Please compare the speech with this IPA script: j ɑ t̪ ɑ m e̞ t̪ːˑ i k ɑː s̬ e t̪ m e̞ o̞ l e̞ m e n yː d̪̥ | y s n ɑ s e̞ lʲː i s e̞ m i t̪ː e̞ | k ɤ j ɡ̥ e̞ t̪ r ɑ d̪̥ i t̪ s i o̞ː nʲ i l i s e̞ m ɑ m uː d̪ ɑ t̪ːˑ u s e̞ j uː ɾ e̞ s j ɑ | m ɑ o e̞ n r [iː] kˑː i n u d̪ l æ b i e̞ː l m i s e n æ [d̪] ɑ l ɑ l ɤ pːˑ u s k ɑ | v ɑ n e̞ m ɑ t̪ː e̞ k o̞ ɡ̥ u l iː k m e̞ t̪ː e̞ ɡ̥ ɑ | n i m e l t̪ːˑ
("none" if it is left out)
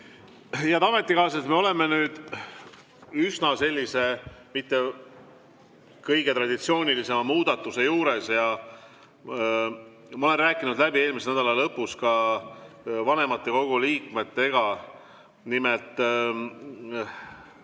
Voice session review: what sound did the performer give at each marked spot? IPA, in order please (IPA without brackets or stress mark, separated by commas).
æː, d̪